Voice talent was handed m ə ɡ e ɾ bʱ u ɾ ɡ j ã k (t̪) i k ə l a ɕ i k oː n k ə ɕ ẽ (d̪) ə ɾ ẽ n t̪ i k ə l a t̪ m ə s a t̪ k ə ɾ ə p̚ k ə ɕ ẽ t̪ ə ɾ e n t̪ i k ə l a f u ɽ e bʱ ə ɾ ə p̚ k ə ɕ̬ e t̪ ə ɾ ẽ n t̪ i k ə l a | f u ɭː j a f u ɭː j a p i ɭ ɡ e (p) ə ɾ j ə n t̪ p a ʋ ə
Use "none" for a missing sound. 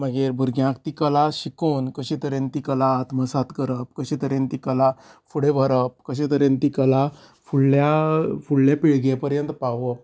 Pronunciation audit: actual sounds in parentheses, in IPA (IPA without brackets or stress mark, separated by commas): t̪, t̪, p